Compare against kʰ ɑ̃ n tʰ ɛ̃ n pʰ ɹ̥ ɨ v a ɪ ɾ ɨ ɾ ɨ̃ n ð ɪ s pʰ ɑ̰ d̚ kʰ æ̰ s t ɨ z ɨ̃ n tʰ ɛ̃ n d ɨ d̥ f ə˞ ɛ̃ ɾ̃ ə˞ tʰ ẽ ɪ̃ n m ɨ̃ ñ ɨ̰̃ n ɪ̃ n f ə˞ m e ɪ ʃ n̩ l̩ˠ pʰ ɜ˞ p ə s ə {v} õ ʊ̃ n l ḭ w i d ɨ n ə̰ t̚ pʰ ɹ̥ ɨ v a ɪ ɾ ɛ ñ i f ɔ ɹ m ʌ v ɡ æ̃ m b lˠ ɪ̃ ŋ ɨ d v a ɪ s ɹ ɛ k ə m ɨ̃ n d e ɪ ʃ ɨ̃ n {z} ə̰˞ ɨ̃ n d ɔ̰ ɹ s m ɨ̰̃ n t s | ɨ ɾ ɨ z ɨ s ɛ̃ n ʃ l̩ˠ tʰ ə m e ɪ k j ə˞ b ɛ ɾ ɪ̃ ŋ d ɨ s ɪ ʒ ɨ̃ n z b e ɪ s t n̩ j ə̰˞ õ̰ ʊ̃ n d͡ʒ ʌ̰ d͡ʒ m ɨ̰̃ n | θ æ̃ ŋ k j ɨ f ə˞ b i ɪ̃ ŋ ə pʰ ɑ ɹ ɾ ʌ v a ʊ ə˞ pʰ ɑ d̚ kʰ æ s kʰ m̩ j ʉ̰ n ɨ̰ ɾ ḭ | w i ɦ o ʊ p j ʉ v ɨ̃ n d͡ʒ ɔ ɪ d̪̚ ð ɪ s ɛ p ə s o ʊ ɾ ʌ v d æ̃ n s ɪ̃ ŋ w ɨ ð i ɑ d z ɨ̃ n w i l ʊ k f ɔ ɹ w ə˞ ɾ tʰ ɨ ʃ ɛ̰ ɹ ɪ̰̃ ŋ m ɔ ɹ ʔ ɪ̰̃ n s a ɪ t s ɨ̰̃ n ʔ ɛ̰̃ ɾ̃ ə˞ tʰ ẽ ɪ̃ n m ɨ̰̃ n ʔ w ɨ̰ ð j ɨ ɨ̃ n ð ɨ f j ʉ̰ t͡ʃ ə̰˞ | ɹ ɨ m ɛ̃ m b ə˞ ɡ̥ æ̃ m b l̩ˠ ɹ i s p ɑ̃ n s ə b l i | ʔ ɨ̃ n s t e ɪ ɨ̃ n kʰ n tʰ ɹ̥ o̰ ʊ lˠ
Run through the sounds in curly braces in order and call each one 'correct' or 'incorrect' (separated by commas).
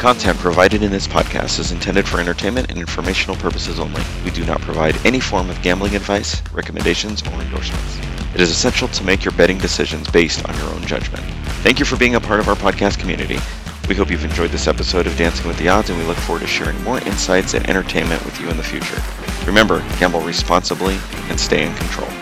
incorrect, correct